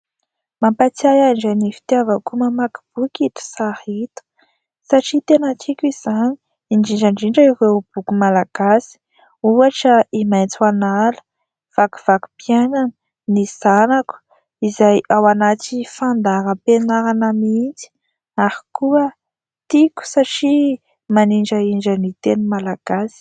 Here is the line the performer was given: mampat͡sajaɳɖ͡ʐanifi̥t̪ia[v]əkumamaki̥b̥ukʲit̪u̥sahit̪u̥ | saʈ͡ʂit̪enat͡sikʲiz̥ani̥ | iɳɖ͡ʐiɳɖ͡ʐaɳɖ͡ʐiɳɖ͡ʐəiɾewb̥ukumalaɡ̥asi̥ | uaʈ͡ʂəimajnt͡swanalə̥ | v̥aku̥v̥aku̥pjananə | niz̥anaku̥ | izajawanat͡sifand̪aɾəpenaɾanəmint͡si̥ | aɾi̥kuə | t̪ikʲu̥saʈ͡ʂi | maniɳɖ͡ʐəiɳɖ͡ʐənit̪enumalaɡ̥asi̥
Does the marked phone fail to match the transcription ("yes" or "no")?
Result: no